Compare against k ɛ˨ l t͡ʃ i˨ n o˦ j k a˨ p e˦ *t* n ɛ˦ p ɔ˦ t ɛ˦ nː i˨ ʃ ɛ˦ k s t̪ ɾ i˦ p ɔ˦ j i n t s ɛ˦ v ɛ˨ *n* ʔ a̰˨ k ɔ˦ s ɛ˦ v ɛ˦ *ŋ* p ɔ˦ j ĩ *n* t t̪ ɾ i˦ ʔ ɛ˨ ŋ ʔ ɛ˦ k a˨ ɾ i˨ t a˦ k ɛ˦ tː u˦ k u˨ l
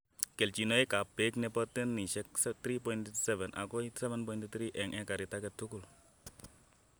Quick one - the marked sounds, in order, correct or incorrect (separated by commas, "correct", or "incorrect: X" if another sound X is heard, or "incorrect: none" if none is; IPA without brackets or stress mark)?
incorrect: k, correct, incorrect: n, correct